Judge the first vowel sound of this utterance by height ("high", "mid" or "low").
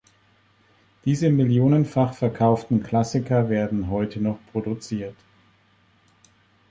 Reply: high